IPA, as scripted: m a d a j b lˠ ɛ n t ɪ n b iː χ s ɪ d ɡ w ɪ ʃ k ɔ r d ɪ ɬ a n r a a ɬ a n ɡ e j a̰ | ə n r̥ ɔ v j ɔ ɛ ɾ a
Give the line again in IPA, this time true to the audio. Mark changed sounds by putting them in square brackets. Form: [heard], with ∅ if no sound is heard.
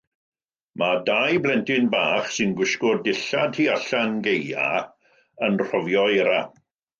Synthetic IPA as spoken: m a d a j b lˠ ɛ n t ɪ n b [aː] χ s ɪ [n] ɡ w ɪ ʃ k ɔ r d ɪ ɬ a [d] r [i] a ɬ a n ɡ e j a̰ | ə n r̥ ɔ v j ɔ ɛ ɾ a

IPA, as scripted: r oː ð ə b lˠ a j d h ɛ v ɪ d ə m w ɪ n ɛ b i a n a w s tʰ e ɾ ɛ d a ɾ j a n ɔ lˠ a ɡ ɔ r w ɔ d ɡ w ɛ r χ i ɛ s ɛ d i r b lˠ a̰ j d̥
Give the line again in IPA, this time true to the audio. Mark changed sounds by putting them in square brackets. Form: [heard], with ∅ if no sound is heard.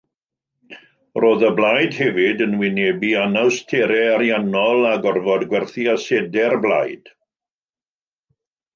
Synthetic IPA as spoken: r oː ð ə b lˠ a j d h ɛ v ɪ d ə [n] w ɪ n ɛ b i a n a w s tʰ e ɾ ɛ [∅] a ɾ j a n ɔ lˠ a ɡ ɔ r [v] ɔ d ɡ w ɛ r [θ] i [a] s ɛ d [ɛ] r b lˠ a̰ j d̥

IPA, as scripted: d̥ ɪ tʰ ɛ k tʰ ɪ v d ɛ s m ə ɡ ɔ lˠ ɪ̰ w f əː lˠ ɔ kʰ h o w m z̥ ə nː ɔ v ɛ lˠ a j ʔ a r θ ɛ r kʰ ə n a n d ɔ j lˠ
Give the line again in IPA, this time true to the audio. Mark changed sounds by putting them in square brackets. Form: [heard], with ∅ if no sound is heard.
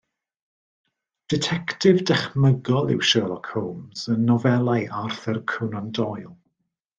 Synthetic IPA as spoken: d̥ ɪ tʰ ɛ k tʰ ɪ v d ɛ [χ] m ə ɡ ɔ lˠ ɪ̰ w [ʃ] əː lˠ ɔ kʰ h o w m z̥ ə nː ɔ v ɛ lˠ a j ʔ a r θ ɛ r kʰ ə n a n d ɔ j lˠ

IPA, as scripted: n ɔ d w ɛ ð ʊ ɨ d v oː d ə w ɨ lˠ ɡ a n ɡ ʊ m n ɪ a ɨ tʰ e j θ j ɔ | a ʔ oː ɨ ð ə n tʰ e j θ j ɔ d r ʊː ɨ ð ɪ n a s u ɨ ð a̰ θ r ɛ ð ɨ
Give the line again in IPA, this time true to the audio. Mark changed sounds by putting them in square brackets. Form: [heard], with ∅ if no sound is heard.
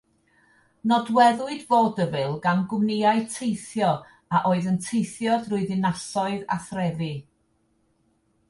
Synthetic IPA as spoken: n ɔ d w ɛ ð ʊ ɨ d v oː d ə [v] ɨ lˠ ɡ a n ɡ ʊ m n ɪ a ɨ tʰ e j θ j ɔ | a ʔ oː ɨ ð ə n tʰ e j θ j ɔ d r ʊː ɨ ð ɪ n a s [ɔ] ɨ ð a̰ θ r ɛ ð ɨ

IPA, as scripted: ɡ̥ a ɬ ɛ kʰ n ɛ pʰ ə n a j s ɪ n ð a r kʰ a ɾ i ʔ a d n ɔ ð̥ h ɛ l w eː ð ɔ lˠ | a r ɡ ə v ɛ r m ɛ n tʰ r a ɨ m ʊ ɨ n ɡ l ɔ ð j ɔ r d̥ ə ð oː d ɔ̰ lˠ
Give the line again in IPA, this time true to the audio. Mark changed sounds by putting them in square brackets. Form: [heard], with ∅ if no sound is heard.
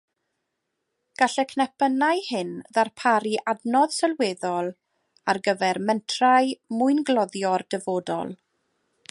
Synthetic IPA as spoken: ɡ̥ a ɬ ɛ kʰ n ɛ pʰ ə n a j [h] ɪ n ð a r [pʰ] a ɾ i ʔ a d n ɔ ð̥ [s] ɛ l w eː ð ɔ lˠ | a r ɡ ə v ɛ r m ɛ n tʰ r a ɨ m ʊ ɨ n ɡ l ɔ ð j ɔ r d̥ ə [v] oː d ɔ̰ lˠ

